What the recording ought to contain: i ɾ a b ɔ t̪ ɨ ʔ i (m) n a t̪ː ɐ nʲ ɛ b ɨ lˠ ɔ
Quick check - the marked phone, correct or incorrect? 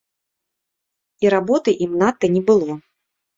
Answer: correct